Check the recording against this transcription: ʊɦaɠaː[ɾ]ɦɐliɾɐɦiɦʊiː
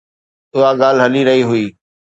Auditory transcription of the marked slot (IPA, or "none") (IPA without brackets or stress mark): l